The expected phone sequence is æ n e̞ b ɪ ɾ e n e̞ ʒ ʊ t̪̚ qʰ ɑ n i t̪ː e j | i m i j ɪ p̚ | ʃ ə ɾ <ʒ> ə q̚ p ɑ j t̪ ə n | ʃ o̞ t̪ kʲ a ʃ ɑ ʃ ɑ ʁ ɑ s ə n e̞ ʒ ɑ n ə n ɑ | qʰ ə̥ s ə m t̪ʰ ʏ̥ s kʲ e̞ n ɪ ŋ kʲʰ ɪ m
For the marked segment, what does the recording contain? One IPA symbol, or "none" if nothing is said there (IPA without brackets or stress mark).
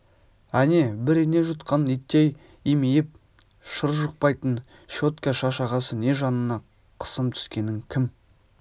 ʒ